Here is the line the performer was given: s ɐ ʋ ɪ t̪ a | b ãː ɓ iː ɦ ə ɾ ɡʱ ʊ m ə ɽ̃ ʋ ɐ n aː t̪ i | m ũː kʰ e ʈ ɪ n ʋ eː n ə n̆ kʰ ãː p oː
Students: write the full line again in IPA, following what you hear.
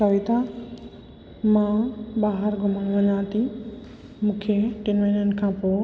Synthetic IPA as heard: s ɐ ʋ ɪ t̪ a | m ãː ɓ aː ɦ ə ɾ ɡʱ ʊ m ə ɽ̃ ʋ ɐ ɲ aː t̪ i | m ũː kʰ e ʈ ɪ n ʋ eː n ə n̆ kʰ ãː p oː